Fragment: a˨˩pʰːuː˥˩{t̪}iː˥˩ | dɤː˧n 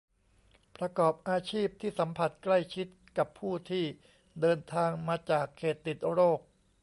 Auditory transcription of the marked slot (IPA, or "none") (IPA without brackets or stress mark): t̪ʰ